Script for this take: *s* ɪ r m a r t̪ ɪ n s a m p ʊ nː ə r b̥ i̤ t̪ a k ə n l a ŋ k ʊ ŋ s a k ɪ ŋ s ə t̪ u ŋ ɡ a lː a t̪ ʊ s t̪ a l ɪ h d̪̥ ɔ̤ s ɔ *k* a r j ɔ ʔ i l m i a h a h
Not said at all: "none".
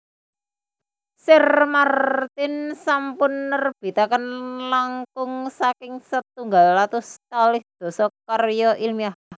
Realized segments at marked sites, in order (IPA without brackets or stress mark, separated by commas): s, k